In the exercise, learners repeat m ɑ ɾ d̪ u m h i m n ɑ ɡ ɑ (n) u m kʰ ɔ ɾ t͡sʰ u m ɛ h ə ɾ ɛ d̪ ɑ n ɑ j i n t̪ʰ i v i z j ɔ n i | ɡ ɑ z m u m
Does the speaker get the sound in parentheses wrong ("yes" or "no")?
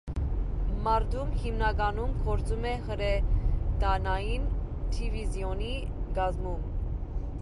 no